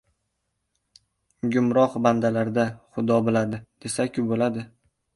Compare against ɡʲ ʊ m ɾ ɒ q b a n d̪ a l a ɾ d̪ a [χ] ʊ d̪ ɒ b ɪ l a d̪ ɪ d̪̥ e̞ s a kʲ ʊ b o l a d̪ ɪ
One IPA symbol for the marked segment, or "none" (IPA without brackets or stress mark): χ